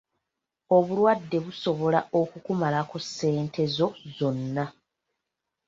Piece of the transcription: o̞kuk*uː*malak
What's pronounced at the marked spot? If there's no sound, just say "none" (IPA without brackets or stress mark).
u